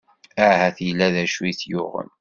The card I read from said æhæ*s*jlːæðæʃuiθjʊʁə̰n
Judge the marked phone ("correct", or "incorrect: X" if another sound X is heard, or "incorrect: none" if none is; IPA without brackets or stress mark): incorrect: θ